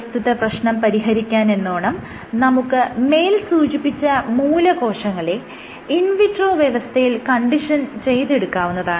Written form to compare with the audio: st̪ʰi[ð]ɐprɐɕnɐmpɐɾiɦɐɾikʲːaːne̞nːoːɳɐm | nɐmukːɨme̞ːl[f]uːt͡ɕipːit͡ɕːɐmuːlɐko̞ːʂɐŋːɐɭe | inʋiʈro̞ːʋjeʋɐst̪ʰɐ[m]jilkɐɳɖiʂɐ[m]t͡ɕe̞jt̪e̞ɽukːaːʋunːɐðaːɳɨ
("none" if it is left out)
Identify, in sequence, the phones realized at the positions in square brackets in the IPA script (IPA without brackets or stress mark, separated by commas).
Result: ð, s, none, n